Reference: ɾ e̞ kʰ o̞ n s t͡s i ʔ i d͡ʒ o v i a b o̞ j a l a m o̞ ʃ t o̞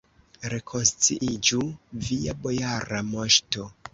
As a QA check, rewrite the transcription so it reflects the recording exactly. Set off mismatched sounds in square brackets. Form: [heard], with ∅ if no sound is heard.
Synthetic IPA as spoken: ɾ e̞ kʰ o̞ n s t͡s i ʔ i d͡ʒ [u] v i a b o̞ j a [ɾ] a m o̞ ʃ t o̞